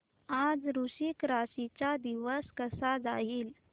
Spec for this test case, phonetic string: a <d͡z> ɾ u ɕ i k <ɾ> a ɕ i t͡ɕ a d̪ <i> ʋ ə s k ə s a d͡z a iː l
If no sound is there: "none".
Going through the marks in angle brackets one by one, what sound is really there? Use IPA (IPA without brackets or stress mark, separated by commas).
d͡z, ɾ, i